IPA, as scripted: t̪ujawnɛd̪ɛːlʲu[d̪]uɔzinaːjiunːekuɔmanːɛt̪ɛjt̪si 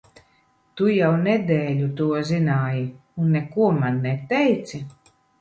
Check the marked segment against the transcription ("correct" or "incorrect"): incorrect